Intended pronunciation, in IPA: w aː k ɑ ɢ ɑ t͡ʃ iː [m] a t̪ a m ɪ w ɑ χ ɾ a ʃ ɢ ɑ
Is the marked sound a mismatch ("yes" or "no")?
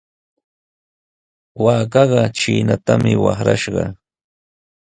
yes